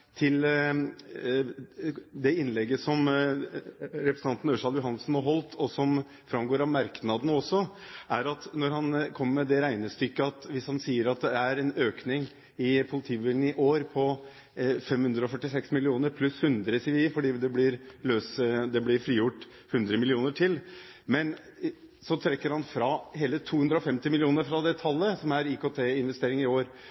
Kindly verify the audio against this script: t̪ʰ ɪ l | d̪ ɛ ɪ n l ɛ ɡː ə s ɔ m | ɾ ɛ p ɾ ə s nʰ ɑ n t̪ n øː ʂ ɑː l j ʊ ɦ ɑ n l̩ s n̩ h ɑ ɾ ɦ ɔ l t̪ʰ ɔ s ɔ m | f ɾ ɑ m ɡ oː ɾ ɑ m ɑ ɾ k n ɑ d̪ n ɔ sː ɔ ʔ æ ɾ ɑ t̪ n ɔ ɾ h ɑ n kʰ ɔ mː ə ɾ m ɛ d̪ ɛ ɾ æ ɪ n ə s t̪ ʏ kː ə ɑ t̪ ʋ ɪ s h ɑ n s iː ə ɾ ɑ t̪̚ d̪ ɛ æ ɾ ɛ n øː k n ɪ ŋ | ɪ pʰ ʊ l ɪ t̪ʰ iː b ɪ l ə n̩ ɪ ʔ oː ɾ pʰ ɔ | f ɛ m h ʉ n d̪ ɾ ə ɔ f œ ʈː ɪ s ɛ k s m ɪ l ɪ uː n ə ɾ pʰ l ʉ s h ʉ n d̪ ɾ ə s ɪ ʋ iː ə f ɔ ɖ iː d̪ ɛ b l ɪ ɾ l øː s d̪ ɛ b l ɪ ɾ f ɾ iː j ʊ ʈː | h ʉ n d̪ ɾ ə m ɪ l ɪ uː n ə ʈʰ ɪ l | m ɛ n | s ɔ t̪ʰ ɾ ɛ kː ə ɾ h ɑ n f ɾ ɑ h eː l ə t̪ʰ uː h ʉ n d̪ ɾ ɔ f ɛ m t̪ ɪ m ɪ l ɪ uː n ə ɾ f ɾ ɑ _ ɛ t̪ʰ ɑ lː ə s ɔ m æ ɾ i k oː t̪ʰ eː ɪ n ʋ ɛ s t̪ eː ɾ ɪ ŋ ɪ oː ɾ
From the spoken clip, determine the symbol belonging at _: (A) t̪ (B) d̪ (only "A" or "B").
B